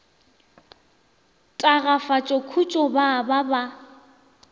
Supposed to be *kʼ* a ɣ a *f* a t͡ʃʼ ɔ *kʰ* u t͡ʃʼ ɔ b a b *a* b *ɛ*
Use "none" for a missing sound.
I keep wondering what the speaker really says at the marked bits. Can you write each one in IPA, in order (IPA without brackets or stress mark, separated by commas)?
tʼ, f, kʰ, a, a